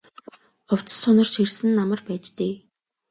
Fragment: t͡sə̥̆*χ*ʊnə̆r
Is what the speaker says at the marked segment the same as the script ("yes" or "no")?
no